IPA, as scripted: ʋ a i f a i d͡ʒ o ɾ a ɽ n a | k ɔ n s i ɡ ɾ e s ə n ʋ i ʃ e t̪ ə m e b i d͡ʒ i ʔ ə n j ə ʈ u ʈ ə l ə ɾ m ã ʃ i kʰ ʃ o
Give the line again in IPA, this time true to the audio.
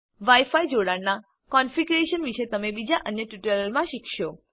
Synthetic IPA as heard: ʋ a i f a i d͡ʒ o ɽ a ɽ n a | k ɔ n f i ɡ ɾ e ʃ ə n ʋ i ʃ e t̪ ə m e b i d͡ʒ a ʔ ə n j ə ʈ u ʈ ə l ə ɾ m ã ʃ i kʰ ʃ o